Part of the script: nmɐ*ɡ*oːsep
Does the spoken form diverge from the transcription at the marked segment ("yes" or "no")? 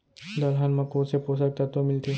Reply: yes